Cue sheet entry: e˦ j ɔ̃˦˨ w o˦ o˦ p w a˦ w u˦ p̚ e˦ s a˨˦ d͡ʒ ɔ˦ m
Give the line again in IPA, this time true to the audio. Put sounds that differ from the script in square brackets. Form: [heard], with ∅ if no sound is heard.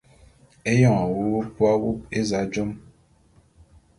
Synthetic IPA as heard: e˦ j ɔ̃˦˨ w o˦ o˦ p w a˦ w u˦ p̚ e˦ [z] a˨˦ d͡ʒ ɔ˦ m